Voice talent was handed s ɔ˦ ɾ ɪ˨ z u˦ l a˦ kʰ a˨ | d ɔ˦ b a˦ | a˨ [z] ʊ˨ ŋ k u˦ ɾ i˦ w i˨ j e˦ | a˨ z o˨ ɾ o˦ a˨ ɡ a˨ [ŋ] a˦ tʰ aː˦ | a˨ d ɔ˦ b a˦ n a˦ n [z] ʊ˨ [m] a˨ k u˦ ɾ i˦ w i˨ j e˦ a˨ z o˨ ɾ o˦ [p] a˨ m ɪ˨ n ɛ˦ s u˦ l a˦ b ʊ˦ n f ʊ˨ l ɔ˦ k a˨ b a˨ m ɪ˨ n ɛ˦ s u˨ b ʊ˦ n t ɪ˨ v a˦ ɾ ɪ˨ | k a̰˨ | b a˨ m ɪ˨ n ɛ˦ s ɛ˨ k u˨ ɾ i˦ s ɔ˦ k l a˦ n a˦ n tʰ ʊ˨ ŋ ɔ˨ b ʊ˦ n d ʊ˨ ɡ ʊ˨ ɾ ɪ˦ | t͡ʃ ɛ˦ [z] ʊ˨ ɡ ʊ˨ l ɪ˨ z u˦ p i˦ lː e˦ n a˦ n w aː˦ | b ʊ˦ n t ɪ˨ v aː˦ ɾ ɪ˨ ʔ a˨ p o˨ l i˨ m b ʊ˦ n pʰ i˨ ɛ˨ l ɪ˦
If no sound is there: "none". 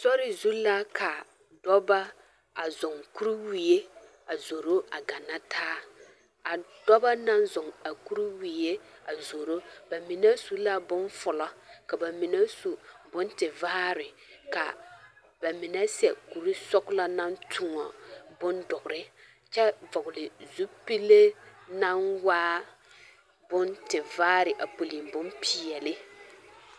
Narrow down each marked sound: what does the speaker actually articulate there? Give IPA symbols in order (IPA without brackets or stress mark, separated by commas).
z, n, z, ŋ, b, v